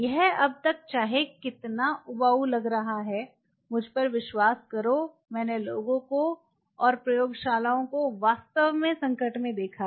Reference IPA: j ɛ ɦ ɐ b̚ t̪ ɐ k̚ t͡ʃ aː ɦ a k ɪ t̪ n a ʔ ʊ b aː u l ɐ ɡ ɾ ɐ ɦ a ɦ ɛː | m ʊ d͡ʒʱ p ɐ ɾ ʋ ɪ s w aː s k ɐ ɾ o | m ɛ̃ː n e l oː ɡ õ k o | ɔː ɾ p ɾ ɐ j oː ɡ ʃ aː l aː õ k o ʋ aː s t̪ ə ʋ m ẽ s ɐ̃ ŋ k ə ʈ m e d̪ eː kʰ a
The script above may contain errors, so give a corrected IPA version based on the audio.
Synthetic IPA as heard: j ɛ ɦ ɐ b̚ t̪ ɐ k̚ t͡ʃ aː ɦ e k ɪ t̪ n a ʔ ʊ b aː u l ɐ ɡ ɾ ɐ ɦ a ɦ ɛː | m ʊ d͡ʒʱ p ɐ ɾ ʋ ɪ ʃ w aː s k ɐ ɾ o | m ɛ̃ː n e l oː ɡ õ k o | ɔː ɾ p ɾ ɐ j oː ɡ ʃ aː l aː õ k o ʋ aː s t̪ ə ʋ m ẽ s ɐ̃ ŋ k ə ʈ m ẽ d̪ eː kʰ a